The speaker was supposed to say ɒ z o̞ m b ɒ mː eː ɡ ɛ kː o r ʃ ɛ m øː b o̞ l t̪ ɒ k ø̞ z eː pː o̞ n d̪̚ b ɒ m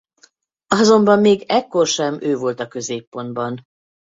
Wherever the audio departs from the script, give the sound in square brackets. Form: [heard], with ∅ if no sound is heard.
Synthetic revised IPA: ɒ z o̞ m b ɒ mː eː ɡ ɛ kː o r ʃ ɛ m øː [v] o̞ l t̪ ɒ k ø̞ z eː pː o̞ n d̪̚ b ɒ [n]